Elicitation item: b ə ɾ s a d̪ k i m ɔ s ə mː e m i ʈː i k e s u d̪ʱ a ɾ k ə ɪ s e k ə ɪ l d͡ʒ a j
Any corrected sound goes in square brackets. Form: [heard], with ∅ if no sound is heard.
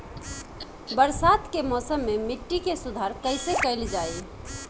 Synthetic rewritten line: b ə ɾ s a [t̪] k [e] m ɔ s ə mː e m i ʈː i k e s u d̪ʱ a ɾ k ə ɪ s e k ə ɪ l d͡ʒ a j